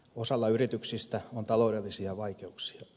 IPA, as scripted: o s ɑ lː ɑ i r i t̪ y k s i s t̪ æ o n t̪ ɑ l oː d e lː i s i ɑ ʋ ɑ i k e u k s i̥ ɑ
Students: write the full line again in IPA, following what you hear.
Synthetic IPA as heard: o s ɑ lː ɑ y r i t̪ y k s i s t̪ æ o n t̪ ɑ l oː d e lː i s i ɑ ʋ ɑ i k e u k s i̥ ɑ